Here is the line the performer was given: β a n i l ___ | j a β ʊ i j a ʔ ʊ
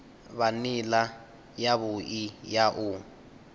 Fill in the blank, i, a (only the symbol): a